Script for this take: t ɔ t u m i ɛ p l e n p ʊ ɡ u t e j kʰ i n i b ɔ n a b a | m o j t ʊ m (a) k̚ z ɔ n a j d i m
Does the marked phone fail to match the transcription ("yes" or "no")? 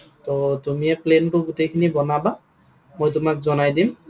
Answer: no